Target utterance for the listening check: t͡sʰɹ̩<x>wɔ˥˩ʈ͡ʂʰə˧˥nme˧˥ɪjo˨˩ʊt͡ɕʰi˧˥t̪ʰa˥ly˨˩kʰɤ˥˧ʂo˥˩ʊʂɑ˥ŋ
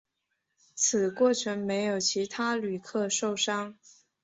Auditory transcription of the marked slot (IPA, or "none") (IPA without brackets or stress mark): k